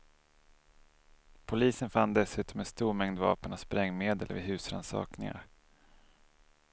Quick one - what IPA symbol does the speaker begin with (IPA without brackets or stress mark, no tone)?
pʰ